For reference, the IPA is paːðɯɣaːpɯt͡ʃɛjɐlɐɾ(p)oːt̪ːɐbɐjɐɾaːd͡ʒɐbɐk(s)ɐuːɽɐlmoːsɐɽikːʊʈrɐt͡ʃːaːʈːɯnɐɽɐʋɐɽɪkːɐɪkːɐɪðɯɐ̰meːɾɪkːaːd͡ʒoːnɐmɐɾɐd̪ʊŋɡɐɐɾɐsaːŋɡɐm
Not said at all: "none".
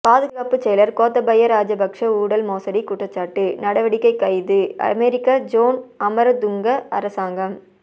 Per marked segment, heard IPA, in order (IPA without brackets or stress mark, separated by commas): k, ʂ